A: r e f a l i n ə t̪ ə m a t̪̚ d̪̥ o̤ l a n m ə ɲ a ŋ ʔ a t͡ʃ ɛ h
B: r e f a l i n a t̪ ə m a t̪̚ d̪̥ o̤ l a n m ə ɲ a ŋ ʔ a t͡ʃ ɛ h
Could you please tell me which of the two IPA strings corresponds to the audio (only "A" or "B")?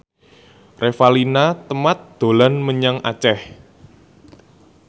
B